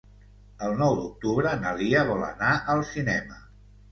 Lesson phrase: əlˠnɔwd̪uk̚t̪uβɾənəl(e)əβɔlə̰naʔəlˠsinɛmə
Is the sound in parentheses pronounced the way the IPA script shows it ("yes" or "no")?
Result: no